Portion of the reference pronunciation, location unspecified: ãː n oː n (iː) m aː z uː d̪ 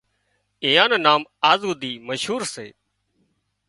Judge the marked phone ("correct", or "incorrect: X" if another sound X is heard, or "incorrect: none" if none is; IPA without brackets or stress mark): incorrect: aː